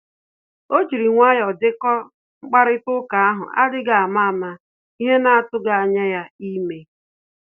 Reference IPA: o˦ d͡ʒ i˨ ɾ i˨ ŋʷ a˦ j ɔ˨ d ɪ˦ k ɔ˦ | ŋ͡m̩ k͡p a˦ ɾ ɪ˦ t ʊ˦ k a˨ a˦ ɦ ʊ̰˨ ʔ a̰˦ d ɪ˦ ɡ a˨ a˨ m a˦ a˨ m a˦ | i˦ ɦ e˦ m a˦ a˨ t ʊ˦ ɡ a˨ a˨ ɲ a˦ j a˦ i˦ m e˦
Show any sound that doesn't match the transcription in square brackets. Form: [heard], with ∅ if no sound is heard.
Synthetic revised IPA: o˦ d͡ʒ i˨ ɾ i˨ ŋʷ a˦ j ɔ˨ d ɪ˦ k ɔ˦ | ŋ͡m̩ k͡p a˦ ɾ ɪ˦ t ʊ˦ k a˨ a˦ ɦ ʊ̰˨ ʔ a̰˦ d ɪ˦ ɡ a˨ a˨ m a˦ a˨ m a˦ | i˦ ɦ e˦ [n] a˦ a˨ t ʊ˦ ɡ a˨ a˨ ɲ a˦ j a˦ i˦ m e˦